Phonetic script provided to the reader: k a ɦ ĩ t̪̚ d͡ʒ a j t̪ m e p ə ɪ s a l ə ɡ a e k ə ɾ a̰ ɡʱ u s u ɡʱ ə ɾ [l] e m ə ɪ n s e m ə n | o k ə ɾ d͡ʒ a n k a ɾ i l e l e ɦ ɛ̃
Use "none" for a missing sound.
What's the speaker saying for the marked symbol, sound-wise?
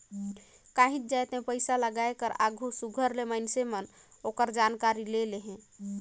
l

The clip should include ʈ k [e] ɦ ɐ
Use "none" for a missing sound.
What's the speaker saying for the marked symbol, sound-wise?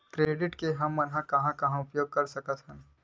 e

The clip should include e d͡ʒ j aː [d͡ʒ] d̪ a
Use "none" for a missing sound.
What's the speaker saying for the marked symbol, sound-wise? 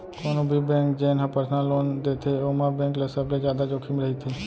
none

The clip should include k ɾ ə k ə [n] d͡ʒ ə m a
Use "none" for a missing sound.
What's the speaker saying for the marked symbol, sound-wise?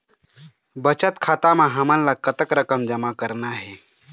m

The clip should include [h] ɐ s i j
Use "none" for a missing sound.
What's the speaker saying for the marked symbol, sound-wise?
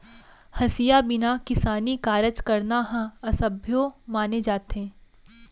h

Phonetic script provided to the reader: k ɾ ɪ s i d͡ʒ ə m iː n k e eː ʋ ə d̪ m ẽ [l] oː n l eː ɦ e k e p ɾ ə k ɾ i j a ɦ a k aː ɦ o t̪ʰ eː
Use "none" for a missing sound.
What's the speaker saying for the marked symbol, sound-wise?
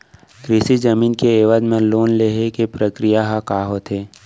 l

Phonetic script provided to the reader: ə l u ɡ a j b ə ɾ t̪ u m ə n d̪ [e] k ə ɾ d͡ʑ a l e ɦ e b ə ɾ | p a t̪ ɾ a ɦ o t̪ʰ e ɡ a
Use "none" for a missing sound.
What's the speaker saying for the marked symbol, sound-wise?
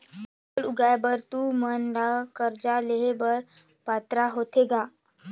a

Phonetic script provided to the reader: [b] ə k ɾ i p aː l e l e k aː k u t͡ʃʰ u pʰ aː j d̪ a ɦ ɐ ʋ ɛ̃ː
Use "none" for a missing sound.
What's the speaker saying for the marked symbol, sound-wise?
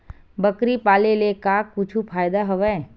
b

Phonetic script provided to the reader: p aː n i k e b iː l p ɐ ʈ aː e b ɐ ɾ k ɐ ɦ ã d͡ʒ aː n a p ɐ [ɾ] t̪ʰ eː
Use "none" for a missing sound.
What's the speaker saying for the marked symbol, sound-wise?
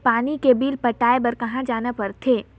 ɾ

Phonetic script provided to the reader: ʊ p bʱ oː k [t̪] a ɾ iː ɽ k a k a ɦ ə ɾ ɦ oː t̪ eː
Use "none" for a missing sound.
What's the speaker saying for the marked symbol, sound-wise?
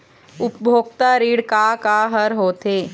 t̪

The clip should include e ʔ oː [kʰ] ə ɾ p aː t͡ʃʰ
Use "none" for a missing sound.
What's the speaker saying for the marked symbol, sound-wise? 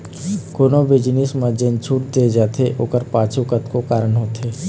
k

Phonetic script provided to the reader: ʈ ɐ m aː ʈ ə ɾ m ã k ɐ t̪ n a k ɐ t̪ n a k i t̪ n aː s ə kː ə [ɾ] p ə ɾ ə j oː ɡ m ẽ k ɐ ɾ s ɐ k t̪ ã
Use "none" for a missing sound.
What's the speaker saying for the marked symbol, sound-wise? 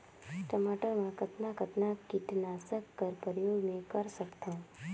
ɾ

